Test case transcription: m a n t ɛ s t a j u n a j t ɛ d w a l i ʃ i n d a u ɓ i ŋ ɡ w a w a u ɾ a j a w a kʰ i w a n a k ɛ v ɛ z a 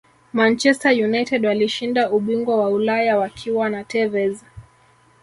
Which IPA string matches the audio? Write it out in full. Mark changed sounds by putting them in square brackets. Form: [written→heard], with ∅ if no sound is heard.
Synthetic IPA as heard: m a n [t→t͡ʃ] ɛ s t a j u n a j t ɛ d w a l i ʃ i n d a u ɓ i ŋ ɡ w a w a u [ɾ→l] a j a w a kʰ i w a n a [k→t] ɛ v ɛ z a